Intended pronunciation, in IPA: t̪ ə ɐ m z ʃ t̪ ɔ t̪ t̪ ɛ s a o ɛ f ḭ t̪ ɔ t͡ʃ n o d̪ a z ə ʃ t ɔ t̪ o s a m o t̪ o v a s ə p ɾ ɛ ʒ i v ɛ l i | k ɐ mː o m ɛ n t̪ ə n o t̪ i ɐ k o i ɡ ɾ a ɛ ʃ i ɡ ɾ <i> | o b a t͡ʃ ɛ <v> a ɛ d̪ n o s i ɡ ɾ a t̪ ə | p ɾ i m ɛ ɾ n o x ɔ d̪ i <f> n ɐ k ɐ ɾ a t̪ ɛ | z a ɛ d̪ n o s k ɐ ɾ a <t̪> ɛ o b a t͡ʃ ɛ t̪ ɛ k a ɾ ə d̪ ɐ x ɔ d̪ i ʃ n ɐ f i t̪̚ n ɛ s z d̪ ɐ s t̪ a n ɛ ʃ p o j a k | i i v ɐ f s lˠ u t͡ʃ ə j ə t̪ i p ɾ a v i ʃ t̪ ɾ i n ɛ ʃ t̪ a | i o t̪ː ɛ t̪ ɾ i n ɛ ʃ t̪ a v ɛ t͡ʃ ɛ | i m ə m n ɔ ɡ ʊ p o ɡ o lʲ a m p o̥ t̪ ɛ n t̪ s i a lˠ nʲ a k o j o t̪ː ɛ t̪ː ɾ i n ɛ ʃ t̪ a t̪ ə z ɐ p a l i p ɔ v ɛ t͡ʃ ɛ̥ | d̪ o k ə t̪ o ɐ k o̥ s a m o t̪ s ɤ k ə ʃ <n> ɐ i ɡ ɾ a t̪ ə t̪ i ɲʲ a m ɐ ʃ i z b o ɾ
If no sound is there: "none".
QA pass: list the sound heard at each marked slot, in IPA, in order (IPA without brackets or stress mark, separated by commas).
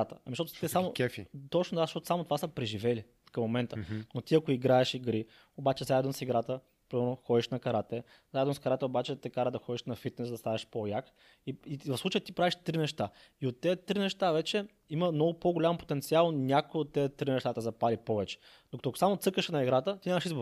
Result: i, z, ʃ, t̪, n